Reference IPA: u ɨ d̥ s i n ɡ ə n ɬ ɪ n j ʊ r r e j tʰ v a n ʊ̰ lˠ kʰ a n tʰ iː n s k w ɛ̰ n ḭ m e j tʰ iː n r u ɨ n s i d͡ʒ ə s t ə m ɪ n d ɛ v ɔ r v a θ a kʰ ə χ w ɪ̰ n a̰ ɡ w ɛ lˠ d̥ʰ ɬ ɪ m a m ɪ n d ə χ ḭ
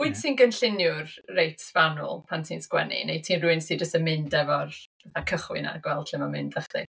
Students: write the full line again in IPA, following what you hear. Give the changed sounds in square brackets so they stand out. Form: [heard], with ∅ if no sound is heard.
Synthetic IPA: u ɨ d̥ s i n ɡ ə n ɬ ɪ n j ʊ r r e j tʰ v a n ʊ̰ lˠ [pʰ] a n tʰ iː n s k w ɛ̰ n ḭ [n] e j tʰ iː n r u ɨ n s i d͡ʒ ə s t ə m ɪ n d ɛ v ɔ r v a θ a kʰ ə χ w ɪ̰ n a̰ ɡ w ɛ lˠ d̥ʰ ɬ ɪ m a m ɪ n d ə χ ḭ

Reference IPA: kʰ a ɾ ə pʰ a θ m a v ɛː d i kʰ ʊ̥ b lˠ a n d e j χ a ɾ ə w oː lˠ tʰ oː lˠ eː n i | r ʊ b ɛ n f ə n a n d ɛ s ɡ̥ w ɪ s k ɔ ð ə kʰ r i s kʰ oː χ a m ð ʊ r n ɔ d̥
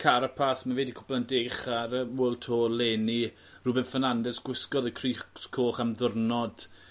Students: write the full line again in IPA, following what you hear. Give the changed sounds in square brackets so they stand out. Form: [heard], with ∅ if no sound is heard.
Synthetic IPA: kʰ a ɾ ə pʰ a θ m a v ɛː d i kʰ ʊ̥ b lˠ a n d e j χ a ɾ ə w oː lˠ tʰ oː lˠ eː n i | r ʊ b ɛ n f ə n a n d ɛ s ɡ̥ w ɪ s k ɔ ð ə kʰ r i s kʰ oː χ a m ð ʊ r n ɔ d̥

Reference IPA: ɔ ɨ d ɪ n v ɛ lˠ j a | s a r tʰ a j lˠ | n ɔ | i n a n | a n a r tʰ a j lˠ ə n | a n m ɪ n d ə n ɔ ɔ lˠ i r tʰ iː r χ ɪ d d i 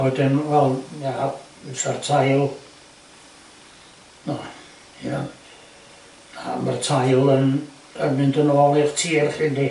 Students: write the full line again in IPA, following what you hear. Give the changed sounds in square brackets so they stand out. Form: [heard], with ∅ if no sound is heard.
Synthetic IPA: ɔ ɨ d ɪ n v ɛ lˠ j a | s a r tʰ a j lˠ | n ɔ | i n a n | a [m] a r tʰ a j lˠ ə n | [ə] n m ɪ n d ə n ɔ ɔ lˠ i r tʰ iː r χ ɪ [n] d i

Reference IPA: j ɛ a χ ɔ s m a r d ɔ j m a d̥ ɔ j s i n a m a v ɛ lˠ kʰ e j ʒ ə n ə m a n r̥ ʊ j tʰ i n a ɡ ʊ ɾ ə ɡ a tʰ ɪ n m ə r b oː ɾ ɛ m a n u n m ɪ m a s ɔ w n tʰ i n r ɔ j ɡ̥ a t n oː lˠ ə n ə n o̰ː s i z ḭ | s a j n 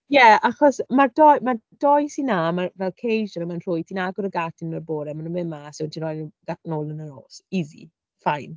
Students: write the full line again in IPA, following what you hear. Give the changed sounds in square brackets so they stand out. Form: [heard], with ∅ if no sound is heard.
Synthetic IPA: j ɛ a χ ɔ s m a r d ɔ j m a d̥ ɔ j s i n a m a v ɛ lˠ kʰ e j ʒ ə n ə m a n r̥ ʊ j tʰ i n a ɡ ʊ ɾ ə ɡ a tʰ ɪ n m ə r b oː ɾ ɛ m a n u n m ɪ m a s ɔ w n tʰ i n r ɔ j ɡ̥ a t n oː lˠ ə n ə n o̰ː s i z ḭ | [f] a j n

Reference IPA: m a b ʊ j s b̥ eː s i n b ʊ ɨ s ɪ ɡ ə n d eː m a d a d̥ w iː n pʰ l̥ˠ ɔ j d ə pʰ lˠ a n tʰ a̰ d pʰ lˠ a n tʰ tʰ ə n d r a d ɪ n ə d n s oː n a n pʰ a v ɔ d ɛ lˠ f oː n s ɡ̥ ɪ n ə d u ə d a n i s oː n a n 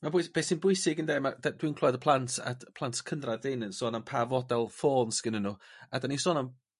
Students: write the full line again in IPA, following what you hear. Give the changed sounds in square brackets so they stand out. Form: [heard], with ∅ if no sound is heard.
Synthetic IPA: m a b ʊ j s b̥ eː s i n b ʊ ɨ s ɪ ɡ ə n d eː m a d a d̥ w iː n [kʰ] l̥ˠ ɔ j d ə pʰ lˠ a n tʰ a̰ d pʰ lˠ a n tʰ [kʰ] ə n d r a d ɪ n ə [∅] n s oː n a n pʰ a v ɔ d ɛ lˠ f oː n s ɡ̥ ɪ n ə [n] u [a] d a n i s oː n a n

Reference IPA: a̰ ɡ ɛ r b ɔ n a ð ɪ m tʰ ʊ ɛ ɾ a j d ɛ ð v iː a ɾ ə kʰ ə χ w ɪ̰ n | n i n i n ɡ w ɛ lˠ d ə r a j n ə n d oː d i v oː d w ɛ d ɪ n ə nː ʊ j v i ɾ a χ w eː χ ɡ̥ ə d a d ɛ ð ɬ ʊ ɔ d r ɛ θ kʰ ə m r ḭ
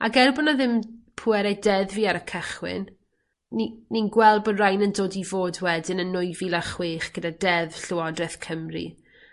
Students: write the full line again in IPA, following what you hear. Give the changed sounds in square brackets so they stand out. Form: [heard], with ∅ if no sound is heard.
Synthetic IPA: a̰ ɡ ɛ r b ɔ n a ð ɪ m [pʰ] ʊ ɛ ɾ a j d ɛ ð v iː a ɾ ə kʰ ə χ w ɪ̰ n | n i n i n ɡ w ɛ lˠ [b] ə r a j n ə n d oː d i v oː d w ɛ d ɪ n ə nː ʊ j v i [l] a χ w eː χ ɡ̥ ə d a d ɛ ð ɬ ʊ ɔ d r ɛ θ kʰ ə m r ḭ

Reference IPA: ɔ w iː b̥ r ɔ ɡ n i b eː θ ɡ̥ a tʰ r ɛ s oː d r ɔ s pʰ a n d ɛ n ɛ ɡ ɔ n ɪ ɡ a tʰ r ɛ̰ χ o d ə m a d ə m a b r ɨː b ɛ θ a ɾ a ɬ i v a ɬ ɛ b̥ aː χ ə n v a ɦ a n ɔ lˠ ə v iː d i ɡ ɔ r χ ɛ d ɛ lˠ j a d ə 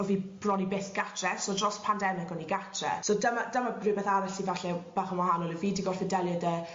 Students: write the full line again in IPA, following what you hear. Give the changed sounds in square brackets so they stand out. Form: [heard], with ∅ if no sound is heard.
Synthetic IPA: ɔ [v] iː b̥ r ɔ [∅] n i b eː θ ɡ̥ a tʰ r ɛ s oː d r ɔ s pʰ a n d ɛ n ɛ ɡ ɔ n [i] ɡ a tʰ r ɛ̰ [s] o d ə m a d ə m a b r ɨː b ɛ θ a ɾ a ɬ i v a ɬ ɛ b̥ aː χ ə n [w] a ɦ a n ɔ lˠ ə v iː d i ɡ ɔ r [f] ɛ d ɛ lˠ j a d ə

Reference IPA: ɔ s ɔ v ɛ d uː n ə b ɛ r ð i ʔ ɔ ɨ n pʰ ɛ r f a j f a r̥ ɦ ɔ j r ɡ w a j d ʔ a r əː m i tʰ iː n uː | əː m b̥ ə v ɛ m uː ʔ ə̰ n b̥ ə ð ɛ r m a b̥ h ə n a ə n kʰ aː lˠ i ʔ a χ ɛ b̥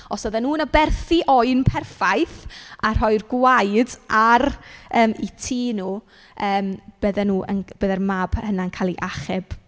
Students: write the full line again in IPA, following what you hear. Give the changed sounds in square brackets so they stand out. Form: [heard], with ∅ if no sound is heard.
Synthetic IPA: ɔ s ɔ [ð] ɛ [n] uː n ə b ɛ r [θ] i ʔ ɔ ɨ n pʰ ɛ r f a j [θ] a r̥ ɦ ɔ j r ɡ w a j d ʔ a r əː m i tʰ iː n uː | əː m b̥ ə [ð] ɛ [n] uː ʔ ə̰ n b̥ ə ð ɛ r m a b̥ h ə n a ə n kʰ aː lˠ i ʔ a χ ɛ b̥

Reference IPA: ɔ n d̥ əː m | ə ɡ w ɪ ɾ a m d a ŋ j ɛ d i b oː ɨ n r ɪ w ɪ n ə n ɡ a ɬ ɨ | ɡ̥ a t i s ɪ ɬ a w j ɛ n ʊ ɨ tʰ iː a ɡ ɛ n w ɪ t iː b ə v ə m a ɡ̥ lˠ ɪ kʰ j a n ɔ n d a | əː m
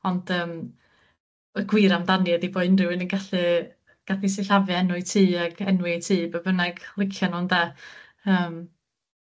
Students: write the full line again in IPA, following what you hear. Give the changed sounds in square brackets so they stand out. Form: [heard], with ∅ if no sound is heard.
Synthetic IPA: ɔ n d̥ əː m | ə ɡ w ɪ ɾ a m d a [n] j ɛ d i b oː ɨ n r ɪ w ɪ n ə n ɡ a ɬ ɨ | ɡ̥ a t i s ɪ ɬ a [v] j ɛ n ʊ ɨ tʰ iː a ɡ ɛ n w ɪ [tʰ] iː b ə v ə [n] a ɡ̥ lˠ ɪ kʰ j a n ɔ n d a | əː m

